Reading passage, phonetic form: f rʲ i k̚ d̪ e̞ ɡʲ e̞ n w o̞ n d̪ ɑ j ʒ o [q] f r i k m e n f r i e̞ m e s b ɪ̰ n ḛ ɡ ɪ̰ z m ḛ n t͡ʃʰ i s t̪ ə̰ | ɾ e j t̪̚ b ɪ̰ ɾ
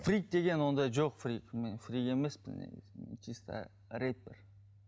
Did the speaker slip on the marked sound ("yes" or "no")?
no